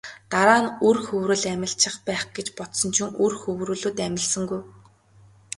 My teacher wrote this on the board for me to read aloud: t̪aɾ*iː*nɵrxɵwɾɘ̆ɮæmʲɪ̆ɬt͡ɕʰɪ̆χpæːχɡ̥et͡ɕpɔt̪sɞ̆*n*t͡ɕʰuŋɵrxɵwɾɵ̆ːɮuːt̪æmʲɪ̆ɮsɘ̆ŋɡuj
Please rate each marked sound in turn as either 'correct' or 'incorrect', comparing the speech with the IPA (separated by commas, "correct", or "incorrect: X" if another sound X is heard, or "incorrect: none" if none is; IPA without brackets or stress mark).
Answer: incorrect: aː, correct